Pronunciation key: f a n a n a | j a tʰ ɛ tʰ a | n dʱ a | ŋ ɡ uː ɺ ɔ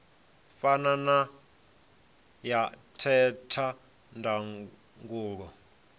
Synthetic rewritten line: f a n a n a | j a tʰ ɛ tʰ a | n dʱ a | ŋ ɡ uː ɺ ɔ